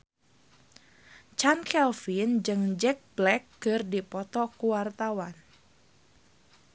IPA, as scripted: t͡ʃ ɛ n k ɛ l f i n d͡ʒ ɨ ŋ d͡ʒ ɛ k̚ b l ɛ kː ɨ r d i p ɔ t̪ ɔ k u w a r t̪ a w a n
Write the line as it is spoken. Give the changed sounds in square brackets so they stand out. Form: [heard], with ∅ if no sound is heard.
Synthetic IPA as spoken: t͡ʃ [a] n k ɛ l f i n d͡ʒ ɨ ŋ d͡ʒ ɛ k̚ b l ɛ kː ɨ r d i p ɔ t̪ ɔ k u w a r t̪ a w a n

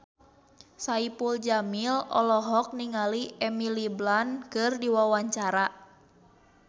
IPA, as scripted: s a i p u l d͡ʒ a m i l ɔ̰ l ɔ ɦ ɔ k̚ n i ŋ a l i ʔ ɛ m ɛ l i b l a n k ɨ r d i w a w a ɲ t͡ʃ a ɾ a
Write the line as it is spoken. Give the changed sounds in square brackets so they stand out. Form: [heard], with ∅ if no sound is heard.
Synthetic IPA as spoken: s a i p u l d͡ʒ a m i l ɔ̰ l ɔ ɦ ɔ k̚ n i ŋ a l i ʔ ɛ m [i] l i b l a n k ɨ r d i w a w a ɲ t͡ʃ a ɾ a

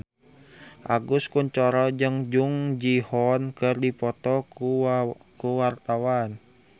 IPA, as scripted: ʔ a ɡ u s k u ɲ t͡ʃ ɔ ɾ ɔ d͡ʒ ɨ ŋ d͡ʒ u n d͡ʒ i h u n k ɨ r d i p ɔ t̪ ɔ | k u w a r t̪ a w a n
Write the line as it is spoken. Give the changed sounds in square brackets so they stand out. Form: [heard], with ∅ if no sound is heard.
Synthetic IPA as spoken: ʔ a ɡ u s k u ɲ t͡ʃ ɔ ɾ ɔ d͡ʒ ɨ ŋ d͡ʒ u [ŋ] d͡ʒ i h [ɔ] n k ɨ r d i p ɔ t̪ ɔ | k u w a r t̪ a w a n

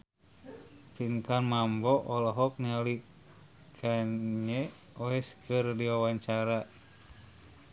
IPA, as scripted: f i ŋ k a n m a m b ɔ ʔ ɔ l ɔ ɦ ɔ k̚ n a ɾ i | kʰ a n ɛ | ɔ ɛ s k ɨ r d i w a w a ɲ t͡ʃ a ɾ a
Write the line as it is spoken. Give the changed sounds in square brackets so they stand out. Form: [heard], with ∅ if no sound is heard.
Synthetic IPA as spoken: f i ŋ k a n m a m b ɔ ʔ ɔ l ɔ ɦ ɔ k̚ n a [l] i | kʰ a [ɲ] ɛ | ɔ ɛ s k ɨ r d i w a w a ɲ t͡ʃ a ɾ a

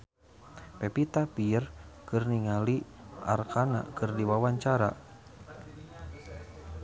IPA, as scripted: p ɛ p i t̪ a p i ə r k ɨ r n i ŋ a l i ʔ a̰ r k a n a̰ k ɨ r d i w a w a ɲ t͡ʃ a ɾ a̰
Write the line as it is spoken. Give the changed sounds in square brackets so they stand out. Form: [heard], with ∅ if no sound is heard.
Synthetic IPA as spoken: p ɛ p i t̪ a p i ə r k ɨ r n i ŋ a l i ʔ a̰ r k a n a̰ k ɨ r d i w a w a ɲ t͡ʃ a ɾ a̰

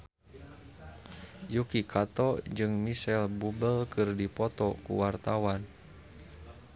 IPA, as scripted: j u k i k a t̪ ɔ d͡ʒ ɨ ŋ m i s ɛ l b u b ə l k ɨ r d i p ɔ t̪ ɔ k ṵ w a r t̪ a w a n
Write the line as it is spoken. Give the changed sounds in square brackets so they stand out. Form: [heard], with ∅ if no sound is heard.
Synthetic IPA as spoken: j u k i k a t̪ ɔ d͡ʒ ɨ ŋ m i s ɛ l b u b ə l k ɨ r d i p ɔ t̪ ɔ k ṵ w a r t̪ a w a n

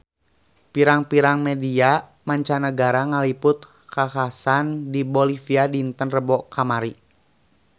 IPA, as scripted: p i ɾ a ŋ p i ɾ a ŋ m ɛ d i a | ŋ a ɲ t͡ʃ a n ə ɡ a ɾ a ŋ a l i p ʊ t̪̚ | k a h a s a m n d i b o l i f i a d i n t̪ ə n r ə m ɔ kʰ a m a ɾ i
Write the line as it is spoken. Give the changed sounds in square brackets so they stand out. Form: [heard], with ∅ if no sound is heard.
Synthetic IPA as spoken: p i ɾ a ŋ p i ɾ a ŋ m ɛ d i a | [m] a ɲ t͡ʃ a n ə ɡ a ɾ a ŋ a l i p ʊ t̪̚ | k a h a s a [∅] n d i b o l i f i a d i n t̪ ə n r ə [b] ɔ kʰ a m a ɾ i

